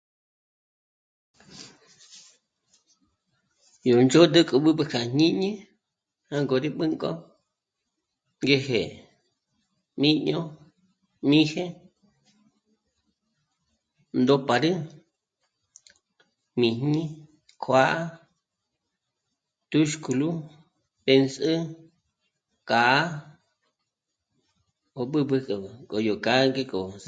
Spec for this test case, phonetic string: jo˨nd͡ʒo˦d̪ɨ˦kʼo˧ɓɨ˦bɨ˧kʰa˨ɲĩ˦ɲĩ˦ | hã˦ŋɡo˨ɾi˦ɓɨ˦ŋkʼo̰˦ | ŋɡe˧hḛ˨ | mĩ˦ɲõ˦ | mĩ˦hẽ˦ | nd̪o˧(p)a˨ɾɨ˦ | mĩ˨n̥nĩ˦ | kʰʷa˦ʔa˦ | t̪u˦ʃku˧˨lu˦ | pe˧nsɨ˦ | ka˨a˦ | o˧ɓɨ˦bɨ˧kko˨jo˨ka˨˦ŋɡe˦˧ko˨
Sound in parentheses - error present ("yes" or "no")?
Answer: no